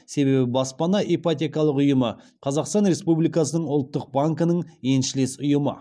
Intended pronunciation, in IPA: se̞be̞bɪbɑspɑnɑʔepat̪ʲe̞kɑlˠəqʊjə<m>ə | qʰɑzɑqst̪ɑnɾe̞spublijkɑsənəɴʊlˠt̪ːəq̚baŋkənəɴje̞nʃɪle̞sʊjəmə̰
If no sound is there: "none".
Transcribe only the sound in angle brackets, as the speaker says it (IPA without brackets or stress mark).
m